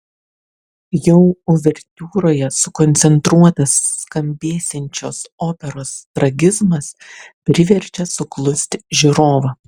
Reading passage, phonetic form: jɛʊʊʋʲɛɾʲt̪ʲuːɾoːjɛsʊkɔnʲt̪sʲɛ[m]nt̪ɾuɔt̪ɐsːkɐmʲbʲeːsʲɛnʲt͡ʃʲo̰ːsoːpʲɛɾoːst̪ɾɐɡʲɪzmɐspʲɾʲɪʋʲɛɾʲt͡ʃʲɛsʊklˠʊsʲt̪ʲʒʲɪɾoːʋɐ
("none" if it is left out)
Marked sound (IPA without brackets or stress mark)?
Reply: none